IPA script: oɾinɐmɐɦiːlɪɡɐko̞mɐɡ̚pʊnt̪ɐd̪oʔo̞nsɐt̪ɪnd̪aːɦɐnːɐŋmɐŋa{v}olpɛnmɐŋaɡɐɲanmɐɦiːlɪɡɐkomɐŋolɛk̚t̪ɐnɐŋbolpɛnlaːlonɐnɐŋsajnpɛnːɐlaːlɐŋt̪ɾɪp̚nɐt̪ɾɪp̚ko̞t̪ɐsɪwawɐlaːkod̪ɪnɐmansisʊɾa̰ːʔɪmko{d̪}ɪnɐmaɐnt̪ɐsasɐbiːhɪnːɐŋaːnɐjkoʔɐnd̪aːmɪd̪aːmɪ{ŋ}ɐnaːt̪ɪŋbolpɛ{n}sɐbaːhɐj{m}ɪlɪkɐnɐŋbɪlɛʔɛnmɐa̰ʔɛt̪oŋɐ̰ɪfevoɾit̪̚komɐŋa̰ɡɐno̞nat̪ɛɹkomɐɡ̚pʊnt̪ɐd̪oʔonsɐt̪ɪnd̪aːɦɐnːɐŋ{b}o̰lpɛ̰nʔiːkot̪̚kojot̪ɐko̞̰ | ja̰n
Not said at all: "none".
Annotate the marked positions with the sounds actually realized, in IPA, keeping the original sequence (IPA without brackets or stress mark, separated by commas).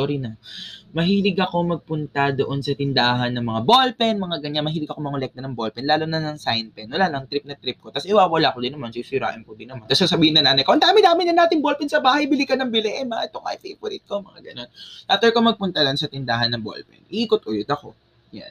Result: b, d̪, n, n, b, b